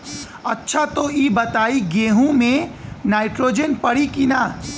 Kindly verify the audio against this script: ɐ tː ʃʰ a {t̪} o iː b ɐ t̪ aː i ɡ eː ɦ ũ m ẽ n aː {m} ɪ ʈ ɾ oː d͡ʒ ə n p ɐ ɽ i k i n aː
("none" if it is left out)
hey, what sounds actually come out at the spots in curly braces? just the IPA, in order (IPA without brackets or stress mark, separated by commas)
t̪, none